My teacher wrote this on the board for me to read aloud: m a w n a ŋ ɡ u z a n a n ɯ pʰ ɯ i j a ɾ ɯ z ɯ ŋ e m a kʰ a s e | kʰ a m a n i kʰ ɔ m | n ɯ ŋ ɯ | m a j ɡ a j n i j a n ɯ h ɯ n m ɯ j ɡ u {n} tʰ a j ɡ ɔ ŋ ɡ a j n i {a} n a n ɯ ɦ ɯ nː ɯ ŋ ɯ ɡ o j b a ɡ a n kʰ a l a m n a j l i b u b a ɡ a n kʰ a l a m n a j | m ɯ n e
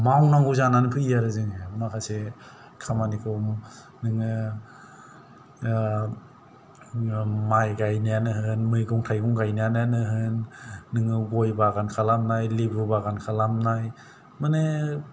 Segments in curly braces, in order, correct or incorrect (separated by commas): incorrect, correct